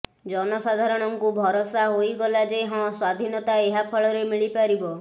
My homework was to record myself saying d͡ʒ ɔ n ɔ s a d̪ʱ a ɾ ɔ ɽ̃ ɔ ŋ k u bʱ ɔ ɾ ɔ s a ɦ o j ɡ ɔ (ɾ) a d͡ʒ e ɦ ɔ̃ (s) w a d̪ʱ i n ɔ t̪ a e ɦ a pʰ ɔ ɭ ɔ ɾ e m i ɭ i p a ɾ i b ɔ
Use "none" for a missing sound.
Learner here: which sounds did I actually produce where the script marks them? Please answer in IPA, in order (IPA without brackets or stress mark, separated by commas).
l, s